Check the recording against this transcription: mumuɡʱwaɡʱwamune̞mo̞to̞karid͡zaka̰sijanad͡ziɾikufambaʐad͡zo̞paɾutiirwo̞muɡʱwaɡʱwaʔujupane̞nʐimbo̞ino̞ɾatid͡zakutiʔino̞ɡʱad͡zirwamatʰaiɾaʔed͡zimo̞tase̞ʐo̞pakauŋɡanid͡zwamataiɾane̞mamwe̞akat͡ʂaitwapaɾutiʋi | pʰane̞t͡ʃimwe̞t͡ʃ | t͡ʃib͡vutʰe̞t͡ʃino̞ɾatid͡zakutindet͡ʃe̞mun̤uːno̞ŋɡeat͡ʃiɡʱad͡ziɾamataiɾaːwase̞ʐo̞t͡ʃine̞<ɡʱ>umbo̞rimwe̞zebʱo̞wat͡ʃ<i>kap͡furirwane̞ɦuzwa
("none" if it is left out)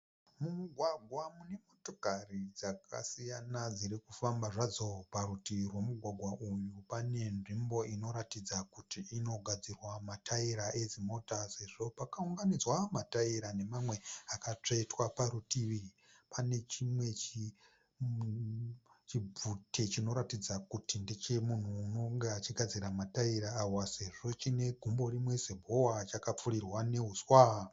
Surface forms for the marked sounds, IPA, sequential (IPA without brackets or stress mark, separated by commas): ɡʱ, a